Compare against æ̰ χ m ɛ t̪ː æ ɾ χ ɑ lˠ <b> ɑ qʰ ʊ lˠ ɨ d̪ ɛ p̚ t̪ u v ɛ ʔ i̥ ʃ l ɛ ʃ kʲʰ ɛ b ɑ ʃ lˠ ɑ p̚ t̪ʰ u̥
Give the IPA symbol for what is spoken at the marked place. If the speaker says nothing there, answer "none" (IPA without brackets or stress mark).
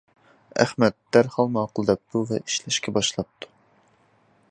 m